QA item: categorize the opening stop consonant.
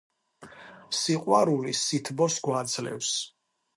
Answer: ejective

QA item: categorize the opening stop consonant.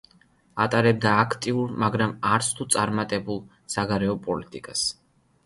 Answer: ejective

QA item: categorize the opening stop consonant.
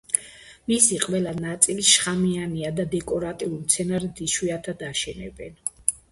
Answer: ejective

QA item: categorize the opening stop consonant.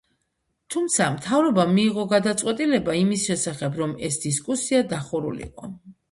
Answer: aspirated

